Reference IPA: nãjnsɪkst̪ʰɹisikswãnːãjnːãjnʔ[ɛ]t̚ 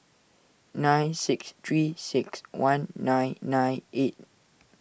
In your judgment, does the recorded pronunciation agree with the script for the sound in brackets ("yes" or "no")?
no